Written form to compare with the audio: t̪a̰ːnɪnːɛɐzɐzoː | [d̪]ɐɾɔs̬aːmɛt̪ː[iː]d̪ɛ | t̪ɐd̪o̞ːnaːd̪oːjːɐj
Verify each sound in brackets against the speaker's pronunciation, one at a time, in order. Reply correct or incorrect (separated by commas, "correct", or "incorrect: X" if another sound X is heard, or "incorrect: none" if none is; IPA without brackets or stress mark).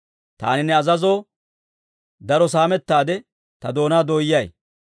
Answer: correct, incorrect: aː